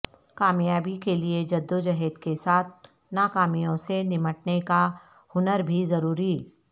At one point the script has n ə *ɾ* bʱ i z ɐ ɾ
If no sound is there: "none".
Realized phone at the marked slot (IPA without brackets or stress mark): ɾ